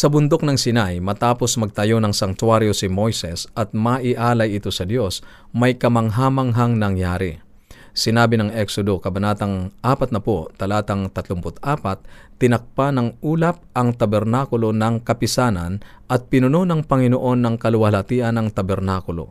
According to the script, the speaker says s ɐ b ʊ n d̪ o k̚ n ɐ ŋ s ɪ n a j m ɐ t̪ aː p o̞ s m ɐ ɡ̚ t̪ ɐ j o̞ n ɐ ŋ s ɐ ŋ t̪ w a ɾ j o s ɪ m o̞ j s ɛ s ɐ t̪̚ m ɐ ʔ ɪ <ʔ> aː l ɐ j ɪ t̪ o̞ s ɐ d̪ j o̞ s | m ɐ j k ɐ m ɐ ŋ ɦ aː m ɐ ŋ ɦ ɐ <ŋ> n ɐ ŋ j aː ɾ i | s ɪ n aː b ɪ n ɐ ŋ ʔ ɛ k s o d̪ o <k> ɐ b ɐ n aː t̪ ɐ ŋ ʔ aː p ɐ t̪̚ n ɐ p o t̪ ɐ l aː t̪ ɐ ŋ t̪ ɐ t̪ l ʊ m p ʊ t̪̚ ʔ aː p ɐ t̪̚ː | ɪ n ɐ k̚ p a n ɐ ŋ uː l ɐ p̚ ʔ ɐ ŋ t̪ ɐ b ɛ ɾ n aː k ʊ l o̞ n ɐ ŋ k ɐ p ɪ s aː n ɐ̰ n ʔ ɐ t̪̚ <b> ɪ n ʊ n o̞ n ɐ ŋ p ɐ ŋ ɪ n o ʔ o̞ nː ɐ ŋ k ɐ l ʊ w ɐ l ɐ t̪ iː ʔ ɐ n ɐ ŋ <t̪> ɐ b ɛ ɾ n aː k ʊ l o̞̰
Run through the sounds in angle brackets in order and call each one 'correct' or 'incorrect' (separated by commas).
correct, correct, correct, incorrect, correct